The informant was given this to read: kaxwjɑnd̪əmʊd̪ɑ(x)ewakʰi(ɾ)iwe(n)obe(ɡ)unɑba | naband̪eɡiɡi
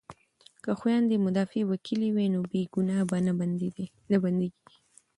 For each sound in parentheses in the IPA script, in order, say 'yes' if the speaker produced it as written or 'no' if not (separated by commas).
no, no, yes, yes